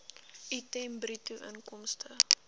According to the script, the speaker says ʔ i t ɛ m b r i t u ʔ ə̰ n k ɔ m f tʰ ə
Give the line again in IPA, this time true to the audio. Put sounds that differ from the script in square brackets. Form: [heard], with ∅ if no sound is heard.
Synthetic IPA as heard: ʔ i t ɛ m b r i t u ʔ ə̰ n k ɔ m [s] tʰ ə